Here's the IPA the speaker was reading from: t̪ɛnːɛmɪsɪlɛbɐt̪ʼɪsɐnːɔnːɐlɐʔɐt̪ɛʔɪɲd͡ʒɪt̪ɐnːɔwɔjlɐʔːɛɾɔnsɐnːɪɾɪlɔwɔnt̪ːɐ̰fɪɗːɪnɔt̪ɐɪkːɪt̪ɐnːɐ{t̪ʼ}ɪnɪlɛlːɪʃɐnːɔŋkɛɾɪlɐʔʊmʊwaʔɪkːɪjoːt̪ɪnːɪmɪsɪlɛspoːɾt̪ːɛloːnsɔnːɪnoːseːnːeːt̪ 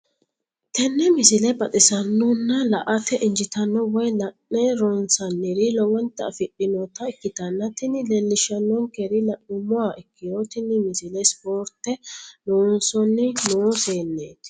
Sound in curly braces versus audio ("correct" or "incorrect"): incorrect